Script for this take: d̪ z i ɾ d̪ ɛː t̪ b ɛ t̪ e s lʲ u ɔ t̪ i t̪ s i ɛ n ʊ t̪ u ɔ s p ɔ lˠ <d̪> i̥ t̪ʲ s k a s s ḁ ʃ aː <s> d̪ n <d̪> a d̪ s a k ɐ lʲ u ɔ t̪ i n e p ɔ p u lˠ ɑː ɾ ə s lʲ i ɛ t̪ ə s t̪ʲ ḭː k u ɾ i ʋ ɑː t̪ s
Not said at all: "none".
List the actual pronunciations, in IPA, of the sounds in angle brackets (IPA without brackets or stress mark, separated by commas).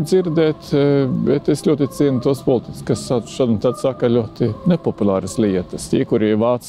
t̪, none, t̪